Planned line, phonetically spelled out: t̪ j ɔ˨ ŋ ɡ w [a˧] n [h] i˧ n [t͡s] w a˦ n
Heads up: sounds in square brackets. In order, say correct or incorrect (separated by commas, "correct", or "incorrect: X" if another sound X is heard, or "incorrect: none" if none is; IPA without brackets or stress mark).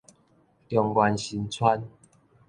correct, incorrect: ɕ, incorrect: t͡sʰ